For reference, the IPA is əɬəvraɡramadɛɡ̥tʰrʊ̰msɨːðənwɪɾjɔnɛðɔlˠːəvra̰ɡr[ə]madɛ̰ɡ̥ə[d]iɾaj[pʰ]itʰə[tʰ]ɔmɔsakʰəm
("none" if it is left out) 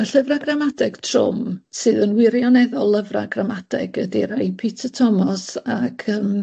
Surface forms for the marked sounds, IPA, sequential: a, d, pʰ, tʰ

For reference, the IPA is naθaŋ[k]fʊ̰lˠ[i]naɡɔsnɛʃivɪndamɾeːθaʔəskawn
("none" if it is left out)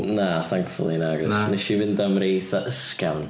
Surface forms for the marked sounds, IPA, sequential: k, i

